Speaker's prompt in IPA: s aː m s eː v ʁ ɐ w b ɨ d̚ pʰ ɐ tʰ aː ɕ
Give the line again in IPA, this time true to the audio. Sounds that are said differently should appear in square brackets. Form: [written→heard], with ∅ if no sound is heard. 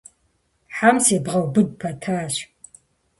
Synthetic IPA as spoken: [s→ħ] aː m s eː [v→b] ʁ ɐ w b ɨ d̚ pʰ ɐ tʰ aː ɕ

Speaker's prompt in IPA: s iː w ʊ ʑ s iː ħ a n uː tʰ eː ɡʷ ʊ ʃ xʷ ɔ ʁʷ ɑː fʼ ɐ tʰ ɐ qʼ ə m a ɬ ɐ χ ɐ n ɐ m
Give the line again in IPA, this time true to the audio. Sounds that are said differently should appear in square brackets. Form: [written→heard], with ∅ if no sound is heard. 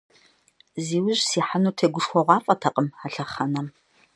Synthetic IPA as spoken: [s→z] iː w ʊ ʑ s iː ħ a n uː tʰ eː ɡʷ ʊ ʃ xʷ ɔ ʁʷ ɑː fʼ ɐ tʰ ɐ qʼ ə m a ɬ ɐ χ ɐ n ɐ m

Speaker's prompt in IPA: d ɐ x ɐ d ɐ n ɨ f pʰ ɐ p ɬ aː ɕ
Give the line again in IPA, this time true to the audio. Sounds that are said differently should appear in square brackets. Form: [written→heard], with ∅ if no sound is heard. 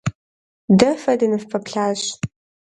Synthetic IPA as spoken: d ɐ [x→f] ɐ d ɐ n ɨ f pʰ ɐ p ɬ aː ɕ

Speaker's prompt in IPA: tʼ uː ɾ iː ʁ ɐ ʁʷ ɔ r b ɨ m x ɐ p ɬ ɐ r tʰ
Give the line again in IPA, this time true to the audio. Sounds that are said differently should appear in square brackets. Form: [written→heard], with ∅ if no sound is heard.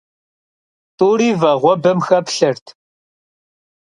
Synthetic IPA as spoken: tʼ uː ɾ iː [ʁ→v] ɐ ʁʷ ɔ [r→∅] b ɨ m x ɐ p ɬ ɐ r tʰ

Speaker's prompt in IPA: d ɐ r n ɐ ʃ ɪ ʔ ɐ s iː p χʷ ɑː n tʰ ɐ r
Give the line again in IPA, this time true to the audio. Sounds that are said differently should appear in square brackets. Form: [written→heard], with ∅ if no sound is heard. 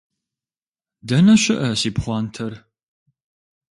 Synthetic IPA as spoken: d ɐ [r→∅] n ɐ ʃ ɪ ʔ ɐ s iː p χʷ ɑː n tʰ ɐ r

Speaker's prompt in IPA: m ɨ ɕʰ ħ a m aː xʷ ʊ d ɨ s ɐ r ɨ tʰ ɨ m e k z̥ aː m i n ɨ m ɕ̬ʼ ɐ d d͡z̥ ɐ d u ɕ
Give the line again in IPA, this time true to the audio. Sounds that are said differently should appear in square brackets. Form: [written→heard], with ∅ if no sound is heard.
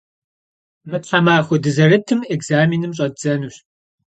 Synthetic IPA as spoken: m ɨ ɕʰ ħ a m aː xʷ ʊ d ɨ [s→z] ɐ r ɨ tʰ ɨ m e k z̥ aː m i n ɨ m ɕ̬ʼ ɐ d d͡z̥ ɐ [d→n] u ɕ

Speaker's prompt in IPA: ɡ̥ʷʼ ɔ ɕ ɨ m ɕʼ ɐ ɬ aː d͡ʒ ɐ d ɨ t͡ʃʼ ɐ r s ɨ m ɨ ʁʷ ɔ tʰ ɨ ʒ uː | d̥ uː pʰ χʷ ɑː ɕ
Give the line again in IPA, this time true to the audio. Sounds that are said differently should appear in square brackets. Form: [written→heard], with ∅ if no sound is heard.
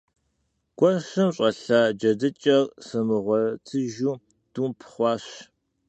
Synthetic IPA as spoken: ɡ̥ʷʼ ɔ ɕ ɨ m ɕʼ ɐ ɬ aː d͡ʒ ɐ d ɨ t͡ʃʼ ɐ r s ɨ m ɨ ʁʷ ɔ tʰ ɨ ʒ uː | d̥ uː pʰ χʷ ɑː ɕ

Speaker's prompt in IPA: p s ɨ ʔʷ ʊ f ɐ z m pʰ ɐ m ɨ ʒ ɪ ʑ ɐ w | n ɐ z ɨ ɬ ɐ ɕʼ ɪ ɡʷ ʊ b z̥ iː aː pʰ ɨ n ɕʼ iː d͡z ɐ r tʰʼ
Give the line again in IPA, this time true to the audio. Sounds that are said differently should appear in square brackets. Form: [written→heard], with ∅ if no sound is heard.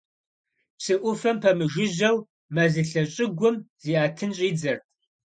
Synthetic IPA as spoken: p s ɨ ʔʷ ʊ f ɐ [z→∅] m pʰ ɐ m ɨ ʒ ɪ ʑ ɐ w | [n→m] ɐ z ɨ ɬ ɐ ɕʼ ɪ ɡʷ ʊ [b→m] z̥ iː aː [pʰ→tʰ] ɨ n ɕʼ iː d͡z ɐ r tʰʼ

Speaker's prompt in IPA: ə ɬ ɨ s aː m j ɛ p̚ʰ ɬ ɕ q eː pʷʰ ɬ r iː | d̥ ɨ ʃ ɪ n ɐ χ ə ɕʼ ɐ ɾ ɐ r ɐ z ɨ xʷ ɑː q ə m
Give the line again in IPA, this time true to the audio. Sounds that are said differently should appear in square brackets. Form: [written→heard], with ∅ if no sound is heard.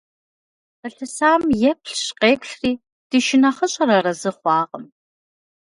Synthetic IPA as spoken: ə ɬ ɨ s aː m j ɛ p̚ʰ ɬ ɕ q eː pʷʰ ɬ r iː | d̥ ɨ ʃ ɪ n ɐ χ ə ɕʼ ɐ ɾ ɐ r ɐ z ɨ [xʷ→χʷ] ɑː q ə m

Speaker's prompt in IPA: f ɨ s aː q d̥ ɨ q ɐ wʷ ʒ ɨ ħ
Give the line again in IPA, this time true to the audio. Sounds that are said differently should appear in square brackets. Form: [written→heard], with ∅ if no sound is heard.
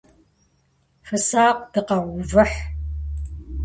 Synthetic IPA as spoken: f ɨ s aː q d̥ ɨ q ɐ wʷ [ʒ→v] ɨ ħ

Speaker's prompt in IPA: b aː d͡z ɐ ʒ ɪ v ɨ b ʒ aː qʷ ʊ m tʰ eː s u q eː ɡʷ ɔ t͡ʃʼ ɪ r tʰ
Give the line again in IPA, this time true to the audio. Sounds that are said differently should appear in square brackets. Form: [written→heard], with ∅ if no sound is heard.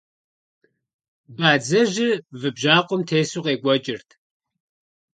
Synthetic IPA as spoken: b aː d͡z ɐ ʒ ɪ v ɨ b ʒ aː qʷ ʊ m tʰ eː s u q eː ɡʷ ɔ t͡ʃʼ ɪ r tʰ

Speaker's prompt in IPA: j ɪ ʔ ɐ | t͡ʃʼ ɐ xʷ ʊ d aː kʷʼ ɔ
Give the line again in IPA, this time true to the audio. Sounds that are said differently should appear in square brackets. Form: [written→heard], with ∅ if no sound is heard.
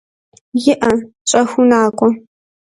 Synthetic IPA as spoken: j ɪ ʔ ɐ | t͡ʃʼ ɐ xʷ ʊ [d→n] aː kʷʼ ɔ

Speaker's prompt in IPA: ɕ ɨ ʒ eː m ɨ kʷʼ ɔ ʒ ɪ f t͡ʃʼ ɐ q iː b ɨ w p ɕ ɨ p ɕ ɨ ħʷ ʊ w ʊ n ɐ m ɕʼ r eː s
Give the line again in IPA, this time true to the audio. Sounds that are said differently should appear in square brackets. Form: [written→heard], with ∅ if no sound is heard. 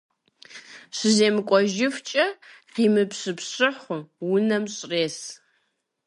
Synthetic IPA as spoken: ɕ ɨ [ʒ→z] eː m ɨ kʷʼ ɔ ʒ ɪ f t͡ʃʼ ɐ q iː [b→m] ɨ [w→∅] p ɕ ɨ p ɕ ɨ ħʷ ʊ w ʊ n ɐ m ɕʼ r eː s

